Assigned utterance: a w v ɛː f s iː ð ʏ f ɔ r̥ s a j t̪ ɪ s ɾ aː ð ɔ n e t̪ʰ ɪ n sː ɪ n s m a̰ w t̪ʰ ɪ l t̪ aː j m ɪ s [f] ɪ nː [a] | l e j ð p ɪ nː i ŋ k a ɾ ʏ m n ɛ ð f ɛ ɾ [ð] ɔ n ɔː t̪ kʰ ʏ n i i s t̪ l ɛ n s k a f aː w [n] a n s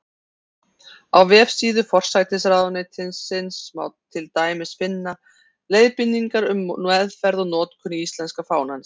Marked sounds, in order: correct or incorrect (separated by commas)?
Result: correct, correct, correct, correct